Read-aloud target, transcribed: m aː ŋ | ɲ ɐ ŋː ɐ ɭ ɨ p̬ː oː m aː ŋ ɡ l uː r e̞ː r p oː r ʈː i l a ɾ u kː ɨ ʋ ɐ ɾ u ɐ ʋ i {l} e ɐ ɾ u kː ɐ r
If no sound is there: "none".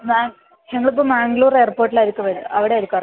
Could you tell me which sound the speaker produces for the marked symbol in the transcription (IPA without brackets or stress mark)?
ɽ